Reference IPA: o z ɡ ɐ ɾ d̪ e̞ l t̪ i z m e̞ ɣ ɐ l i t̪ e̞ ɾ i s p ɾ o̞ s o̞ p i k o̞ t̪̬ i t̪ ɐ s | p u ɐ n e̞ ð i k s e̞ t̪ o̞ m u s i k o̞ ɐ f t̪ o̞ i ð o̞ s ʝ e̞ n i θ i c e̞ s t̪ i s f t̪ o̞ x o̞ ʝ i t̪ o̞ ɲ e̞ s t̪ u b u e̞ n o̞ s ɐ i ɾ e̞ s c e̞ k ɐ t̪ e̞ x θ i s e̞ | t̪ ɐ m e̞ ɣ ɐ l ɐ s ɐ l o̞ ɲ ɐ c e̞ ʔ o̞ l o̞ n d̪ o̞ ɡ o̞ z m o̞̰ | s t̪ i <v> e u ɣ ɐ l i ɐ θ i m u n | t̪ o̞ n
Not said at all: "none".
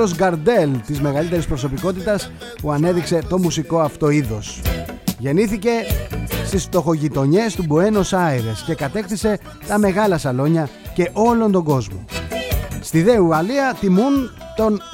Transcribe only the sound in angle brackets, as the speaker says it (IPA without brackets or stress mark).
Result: ð